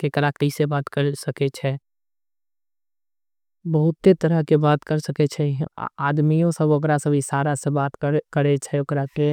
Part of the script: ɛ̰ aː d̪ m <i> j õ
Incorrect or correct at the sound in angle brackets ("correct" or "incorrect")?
correct